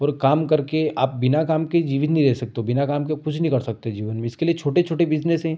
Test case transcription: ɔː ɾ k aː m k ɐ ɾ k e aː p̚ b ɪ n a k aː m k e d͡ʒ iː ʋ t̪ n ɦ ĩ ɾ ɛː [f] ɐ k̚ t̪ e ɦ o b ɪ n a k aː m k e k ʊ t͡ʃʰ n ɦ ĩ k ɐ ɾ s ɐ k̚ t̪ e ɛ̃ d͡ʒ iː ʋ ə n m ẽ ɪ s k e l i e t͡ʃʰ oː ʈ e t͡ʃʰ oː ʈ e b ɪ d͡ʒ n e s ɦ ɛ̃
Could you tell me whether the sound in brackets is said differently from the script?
yes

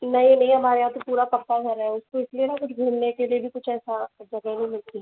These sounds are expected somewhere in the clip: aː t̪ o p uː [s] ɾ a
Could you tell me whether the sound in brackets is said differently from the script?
yes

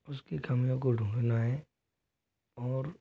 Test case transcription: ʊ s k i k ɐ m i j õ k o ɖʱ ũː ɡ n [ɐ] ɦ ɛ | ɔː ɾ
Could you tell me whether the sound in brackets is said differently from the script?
yes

